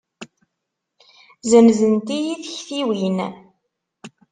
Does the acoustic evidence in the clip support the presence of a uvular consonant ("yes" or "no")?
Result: no